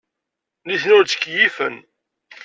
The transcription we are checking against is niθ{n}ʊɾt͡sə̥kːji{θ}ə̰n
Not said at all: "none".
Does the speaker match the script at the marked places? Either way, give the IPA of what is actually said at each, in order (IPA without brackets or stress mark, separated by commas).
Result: n, f